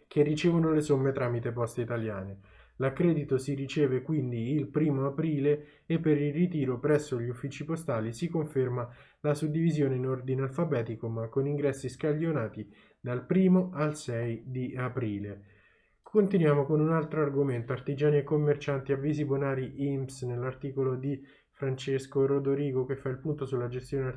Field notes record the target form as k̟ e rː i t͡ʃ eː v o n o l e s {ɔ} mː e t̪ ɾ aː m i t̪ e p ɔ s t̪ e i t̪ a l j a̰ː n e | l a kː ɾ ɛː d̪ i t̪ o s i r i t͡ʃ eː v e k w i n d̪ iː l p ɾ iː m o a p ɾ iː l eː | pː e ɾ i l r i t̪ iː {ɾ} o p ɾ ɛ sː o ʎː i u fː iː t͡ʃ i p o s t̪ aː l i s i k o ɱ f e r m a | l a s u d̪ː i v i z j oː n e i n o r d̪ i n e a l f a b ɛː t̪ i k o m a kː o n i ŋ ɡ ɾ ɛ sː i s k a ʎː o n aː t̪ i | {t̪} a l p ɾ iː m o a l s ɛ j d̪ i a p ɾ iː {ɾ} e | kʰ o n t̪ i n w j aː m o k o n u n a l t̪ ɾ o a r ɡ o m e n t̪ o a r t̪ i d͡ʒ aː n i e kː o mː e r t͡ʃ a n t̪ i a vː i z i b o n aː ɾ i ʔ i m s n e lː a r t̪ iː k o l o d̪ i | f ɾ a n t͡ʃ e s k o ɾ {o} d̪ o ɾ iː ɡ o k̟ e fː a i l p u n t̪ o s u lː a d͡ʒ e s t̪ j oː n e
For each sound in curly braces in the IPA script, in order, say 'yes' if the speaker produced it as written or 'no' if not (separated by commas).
no, yes, no, no, yes